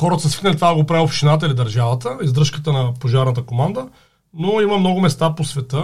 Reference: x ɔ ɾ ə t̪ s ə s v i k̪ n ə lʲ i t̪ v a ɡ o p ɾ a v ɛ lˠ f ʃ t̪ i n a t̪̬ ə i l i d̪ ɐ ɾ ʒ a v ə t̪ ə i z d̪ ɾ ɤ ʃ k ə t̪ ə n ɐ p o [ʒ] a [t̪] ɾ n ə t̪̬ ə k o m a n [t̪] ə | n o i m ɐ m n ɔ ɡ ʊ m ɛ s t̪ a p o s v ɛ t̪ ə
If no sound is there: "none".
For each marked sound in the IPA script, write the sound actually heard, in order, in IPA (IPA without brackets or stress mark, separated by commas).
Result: ʒ, none, d̪